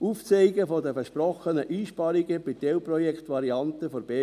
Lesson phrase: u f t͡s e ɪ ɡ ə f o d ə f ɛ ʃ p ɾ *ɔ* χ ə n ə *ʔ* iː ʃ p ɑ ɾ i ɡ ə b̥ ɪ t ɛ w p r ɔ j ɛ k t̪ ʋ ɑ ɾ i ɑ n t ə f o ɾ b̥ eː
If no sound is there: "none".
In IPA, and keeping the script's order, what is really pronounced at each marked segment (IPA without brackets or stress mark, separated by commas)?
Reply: ɔ, ʔ